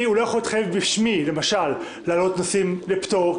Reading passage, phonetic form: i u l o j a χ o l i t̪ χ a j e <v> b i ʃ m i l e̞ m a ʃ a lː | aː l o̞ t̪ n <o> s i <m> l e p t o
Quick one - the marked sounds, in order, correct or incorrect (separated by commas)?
correct, correct, correct